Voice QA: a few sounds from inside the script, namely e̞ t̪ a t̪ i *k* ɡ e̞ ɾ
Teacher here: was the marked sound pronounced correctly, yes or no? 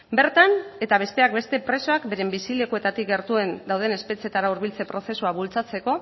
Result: yes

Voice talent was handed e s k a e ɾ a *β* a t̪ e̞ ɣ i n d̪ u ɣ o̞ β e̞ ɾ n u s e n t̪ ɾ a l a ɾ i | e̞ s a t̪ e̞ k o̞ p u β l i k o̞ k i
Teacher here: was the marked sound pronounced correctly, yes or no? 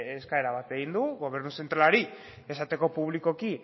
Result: yes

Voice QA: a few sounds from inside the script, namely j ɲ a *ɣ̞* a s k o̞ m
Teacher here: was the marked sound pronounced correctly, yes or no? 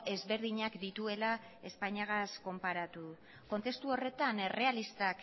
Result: yes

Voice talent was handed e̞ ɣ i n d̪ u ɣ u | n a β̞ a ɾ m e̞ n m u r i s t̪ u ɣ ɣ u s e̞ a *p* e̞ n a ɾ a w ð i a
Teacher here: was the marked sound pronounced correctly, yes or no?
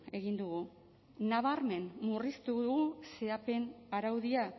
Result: yes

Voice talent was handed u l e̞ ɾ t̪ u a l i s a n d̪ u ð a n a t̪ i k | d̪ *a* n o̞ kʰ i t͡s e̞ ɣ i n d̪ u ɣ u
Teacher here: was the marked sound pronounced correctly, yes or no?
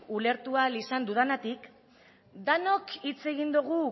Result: yes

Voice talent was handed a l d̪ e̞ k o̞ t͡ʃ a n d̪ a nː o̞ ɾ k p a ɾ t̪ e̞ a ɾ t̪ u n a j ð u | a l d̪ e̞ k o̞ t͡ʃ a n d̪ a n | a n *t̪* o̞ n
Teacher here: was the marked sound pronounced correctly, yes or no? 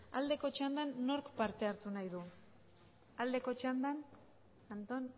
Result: yes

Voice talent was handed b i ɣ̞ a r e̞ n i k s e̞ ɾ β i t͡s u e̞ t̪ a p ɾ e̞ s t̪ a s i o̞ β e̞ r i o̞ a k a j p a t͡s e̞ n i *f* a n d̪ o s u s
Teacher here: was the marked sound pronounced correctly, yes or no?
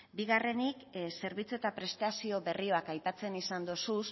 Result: no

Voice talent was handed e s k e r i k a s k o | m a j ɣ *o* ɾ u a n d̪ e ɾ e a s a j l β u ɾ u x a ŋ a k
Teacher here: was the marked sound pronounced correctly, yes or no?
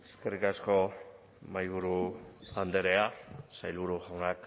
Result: no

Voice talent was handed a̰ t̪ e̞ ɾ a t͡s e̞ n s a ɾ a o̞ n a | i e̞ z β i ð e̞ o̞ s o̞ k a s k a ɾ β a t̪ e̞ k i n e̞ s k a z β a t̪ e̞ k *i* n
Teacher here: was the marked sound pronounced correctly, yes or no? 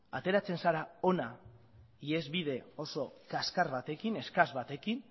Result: yes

